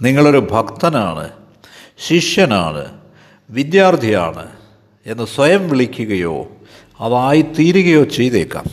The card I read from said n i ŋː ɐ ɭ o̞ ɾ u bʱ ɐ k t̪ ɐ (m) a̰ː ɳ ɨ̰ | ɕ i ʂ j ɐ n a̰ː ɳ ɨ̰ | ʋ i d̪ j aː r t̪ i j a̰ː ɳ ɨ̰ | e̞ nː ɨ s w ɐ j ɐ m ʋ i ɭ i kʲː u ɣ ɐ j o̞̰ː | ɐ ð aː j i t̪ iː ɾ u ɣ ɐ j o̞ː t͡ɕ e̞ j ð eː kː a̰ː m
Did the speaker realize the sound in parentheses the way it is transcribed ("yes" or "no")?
no